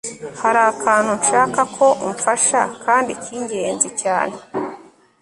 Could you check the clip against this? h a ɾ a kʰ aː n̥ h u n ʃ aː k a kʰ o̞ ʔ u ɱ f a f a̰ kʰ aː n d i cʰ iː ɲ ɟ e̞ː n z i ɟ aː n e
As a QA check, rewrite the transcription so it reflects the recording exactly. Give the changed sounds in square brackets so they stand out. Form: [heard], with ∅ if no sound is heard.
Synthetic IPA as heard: h a ɾ a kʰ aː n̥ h u n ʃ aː k a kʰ o̞ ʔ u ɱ f a [ʃ] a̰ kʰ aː n d i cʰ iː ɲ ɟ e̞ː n z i [c] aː n e